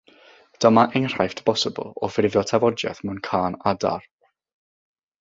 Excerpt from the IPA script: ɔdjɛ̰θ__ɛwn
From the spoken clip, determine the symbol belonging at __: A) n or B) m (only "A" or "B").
B